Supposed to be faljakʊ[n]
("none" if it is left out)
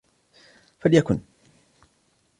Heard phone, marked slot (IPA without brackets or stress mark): n